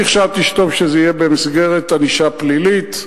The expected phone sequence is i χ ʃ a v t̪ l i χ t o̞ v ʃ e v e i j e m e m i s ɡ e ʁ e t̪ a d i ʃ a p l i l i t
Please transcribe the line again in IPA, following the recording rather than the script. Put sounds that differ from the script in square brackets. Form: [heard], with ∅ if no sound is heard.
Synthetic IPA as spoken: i χ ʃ a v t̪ l i [ʃ] t o̞ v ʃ e [z] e i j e [b] e m i s ɡ e ʁ e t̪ a [n] i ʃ a p l i l i t